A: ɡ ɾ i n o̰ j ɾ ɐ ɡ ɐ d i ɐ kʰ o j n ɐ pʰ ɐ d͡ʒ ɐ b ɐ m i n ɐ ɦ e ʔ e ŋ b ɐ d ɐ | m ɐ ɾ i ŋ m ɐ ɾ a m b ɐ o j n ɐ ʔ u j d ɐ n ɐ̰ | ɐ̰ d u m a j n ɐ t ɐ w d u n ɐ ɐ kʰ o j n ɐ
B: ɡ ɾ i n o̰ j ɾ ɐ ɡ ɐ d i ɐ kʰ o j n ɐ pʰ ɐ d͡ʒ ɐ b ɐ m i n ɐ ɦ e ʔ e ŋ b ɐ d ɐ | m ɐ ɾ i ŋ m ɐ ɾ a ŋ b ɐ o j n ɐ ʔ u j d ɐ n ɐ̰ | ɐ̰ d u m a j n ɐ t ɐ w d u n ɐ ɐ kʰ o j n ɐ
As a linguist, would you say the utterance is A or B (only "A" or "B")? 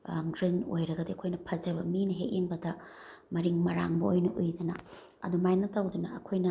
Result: B